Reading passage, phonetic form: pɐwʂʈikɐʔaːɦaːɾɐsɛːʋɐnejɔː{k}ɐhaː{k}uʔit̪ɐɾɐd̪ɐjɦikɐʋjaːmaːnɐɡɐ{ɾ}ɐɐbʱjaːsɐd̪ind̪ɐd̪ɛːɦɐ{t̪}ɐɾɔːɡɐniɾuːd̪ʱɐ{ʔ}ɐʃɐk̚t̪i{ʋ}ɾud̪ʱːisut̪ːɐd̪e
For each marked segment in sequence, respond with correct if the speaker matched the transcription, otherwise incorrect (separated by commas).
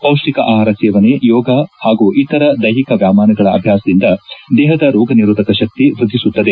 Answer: incorrect, incorrect, incorrect, incorrect, incorrect, correct